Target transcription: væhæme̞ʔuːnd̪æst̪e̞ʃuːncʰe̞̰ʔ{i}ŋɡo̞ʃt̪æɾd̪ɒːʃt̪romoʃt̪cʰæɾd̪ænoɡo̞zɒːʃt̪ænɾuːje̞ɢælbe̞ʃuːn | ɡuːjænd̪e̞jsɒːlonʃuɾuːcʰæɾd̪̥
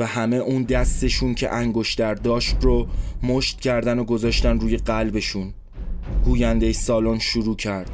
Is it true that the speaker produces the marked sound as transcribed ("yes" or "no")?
no